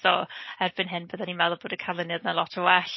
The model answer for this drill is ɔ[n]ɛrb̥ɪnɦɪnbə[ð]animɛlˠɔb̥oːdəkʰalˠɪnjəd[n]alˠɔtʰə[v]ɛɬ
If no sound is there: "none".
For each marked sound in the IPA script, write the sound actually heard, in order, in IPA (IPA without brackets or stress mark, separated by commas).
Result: none, ð, n, w